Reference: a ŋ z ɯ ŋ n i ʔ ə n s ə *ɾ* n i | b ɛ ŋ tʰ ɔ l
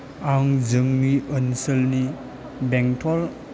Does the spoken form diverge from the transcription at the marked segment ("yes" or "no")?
yes